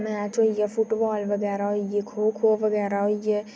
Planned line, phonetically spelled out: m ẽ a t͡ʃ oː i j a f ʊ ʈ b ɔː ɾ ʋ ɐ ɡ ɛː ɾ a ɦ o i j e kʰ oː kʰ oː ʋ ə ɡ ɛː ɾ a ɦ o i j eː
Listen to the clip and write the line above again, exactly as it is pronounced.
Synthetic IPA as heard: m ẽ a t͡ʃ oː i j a f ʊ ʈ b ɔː l ʋ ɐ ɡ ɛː ɾ a ɦ o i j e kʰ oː kʰ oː ʋ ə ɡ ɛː ɾ a ɦ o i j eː